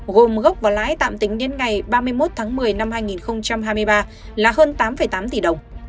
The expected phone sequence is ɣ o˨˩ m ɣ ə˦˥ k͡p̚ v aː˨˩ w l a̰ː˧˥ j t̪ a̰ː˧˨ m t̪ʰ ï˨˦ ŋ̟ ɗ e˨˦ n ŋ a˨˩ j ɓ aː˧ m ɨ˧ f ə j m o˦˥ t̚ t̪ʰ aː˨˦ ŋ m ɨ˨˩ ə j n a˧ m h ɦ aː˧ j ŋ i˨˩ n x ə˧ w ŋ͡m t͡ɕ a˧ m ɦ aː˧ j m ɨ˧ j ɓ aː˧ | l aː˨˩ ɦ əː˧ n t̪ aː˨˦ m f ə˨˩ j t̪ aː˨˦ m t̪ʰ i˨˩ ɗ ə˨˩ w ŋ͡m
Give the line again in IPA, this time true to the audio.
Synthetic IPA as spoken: ɣ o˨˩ m ɣ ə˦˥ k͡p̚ v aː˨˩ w l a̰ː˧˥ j t̪ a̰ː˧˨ m t̪ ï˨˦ ŋ̟ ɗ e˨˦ n ŋ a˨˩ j ɓ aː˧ m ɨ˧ ə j m o˦˥ t̚ t̪ʰ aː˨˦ ŋ m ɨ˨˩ ə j n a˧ m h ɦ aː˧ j ŋ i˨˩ n x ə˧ w ŋ͡m t͡ɕ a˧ m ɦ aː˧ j m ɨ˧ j ɓ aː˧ | l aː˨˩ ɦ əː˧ n t̪ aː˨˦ m f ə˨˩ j t̪ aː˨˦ m t̪ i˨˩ ɗ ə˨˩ w ŋ͡m